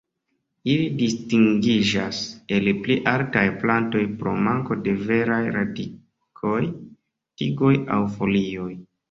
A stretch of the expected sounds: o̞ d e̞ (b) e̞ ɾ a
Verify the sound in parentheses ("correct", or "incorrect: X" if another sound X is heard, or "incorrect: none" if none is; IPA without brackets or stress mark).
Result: incorrect: v